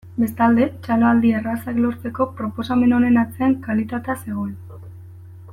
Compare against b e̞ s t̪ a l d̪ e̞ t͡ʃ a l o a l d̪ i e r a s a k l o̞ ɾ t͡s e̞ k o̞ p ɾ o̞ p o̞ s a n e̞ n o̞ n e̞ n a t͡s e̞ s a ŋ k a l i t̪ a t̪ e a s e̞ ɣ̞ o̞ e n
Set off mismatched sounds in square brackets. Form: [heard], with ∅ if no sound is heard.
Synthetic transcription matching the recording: b e̞ s t̪ a l d̪ e̞ t͡ʃ a l o a l d̪ i e r a s a k l o̞ ɾ t͡s e̞ k o̞ p ɾ o̞ p o̞ s a [m] e̞ n o̞ n e̞ n a t͡s e̞ [∅] a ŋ k a l i t̪ a t̪ e a s e̞ ɣ̞ o̞ e n